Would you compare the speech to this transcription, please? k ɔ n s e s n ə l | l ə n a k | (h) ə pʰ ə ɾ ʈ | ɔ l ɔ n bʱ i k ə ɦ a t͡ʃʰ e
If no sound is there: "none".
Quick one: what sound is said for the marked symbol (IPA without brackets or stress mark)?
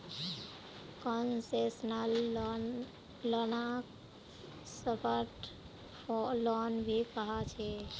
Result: s